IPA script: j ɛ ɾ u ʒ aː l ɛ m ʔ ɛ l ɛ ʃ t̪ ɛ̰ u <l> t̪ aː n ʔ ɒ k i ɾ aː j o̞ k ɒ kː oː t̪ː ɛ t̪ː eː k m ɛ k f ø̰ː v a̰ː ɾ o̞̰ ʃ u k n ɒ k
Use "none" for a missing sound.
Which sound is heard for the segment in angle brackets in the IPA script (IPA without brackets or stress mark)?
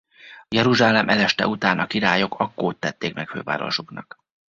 none